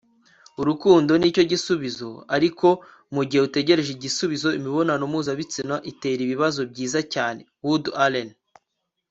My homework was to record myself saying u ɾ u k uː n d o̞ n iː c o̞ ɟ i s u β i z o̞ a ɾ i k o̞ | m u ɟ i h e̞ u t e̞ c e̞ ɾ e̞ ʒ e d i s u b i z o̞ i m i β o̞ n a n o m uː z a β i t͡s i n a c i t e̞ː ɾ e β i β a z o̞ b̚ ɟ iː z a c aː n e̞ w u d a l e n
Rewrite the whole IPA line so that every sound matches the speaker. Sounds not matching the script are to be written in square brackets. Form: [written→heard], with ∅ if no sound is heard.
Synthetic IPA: u ɾ u k uː n d o̞ n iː c o̞ ɟ i s u β i z o̞ a ɾ i k o̞ | m u ɟ i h e̞ u t e̞ [c→ɟ] e̞ ɾ e̞ ʒ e [d→ɟ] i s u [b→β] i z o̞ i m i β o̞ n a n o m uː z a β i t͡s i n a [c→ʔ] i t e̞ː ɾ [e→i] β i β a z o̞ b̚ ɟ iː z a c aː n e̞ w u d a l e n